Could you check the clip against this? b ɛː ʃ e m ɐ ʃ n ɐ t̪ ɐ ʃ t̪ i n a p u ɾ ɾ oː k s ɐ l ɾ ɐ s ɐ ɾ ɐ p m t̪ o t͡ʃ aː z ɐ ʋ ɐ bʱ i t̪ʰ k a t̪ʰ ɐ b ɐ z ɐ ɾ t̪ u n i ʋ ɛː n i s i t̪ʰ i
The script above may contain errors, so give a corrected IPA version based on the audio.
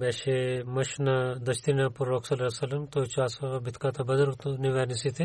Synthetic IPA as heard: b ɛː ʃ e m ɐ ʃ n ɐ d̪ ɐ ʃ t̪ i n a p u ɾ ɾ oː k s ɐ l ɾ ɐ s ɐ l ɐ m t̪ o t͡ʃ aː s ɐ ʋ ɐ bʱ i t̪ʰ k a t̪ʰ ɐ b ɐ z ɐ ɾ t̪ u n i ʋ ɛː n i s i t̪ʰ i